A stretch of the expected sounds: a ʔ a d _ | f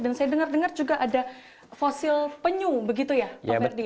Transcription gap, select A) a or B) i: A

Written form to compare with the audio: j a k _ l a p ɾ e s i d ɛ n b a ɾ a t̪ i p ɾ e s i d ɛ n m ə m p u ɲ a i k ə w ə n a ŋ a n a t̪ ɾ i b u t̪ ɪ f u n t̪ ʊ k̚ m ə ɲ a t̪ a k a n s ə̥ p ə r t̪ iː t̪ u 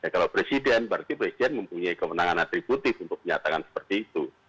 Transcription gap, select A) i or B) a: B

